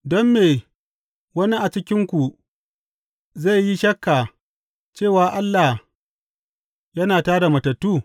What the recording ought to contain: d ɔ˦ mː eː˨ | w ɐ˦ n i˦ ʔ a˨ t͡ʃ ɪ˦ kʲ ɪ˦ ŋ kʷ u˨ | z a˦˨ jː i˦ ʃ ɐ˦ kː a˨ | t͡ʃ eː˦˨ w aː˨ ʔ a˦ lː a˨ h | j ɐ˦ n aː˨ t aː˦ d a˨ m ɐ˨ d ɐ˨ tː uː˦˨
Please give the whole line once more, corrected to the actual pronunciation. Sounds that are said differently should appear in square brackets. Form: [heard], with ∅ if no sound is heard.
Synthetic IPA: d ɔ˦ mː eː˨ | w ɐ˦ n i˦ ʔ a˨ t͡ʃ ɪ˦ kʲ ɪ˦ ŋ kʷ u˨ | z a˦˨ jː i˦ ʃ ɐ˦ kː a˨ | t͡ʃ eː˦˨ w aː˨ ʔ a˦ lː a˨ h | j ɐ˦ n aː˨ t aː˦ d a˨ m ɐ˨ [t] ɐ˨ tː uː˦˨